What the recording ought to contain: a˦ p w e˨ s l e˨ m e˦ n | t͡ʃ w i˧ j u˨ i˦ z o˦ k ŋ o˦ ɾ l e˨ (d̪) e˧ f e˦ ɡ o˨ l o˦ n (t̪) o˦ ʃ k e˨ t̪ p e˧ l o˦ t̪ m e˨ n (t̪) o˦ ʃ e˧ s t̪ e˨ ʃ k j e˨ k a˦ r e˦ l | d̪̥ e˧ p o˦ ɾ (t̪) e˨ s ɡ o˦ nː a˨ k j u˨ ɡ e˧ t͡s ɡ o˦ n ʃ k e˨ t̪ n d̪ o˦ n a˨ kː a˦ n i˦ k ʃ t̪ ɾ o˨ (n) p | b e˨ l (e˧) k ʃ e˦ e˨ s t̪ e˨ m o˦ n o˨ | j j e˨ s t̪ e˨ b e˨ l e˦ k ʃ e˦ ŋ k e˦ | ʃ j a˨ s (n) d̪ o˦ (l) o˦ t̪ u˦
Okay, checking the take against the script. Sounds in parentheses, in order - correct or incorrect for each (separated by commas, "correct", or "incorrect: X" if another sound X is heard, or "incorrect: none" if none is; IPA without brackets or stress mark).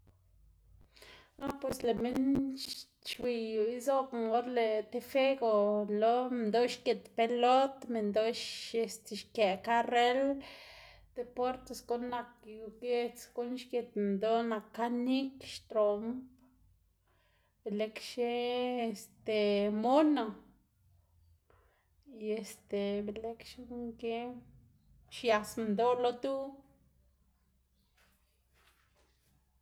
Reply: incorrect: t̪, incorrect: d̪, incorrect: d̪, correct, incorrect: m, correct, correct, correct